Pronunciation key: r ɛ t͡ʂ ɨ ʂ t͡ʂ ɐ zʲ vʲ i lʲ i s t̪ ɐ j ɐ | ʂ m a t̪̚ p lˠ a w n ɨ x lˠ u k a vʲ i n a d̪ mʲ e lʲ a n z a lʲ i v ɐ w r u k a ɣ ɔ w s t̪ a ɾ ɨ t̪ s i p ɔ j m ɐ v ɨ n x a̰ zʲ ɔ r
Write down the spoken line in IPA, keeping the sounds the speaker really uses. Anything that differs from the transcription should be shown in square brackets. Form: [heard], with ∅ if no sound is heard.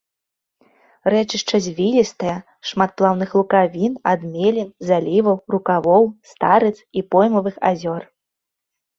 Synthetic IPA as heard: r ɛ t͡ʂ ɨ ʂ t͡ʂ ɐ zʲ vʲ i lʲ i s t̪ ɐ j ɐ | ʂ m a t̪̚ p lˠ a w n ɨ x lˠ u k a vʲ i n a d̪ mʲ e lʲ [i] n z a lʲ i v ɐ w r u k a [v] ɔ w s t̪ a ɾ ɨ t̪ s i p ɔ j m ɐ v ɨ [∅] x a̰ zʲ ɔ r